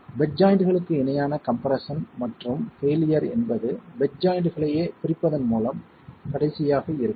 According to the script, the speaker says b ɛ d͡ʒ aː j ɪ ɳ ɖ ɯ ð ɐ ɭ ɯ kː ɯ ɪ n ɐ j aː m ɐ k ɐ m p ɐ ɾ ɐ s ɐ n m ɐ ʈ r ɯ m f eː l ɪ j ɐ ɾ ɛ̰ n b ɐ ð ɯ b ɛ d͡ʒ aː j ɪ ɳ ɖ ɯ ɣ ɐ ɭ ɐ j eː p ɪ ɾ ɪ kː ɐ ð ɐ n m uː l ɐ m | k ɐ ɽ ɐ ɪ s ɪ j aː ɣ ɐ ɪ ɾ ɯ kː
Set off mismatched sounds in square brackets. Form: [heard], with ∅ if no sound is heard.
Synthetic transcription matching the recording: b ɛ d͡ʒ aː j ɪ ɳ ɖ ɯ [ɣ] ɐ ɭ ɯ kː ɯ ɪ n ɐ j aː [n] ɐ k ɐ m p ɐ ɾ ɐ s ɐ n m ɐ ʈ r ɯ m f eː l ɪ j ɐ ɾ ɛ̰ n b ɐ ð ɯ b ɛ d͡ʒ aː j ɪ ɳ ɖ ɯ ɣ ɐ ɭ ɐ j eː p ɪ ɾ ɪ [pː] ɐ ð ɐ n m uː l ɐ m | k ɐ ɽ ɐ ɪ s ɪ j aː ɣ ɐ ɪ ɾ ɯ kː